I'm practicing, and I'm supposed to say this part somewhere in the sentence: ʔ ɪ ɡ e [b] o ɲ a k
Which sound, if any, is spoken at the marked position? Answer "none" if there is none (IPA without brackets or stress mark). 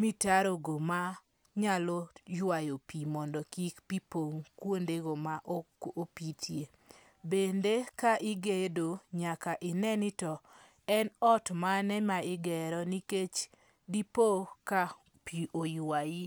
d